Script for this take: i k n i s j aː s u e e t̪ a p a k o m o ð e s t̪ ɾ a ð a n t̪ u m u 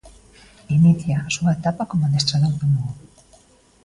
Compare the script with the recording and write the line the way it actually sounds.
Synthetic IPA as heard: i n i θ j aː s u a e t̪ a p a k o m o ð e s t̪ ɾ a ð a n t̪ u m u